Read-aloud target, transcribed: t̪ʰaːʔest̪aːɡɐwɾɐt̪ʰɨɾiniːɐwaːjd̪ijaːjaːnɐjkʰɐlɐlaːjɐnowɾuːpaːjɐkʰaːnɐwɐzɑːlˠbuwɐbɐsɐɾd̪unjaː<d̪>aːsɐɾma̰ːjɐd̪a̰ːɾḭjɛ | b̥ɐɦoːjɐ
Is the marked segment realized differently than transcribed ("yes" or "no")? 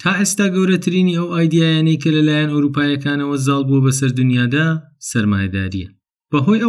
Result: no